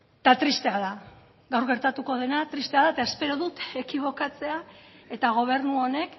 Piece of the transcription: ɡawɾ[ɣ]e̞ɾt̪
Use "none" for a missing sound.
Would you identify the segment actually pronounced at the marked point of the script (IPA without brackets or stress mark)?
ɣ